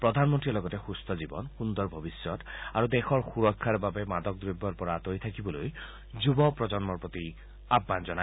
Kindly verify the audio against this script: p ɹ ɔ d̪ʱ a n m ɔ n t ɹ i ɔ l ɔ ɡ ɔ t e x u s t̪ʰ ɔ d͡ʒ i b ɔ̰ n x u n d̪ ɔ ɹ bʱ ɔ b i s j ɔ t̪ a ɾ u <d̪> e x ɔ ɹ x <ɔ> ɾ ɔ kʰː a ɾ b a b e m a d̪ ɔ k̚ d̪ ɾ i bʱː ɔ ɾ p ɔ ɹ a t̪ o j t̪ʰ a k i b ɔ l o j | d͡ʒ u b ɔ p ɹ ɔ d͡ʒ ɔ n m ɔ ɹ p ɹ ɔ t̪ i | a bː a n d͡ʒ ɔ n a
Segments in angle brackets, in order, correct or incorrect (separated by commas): correct, incorrect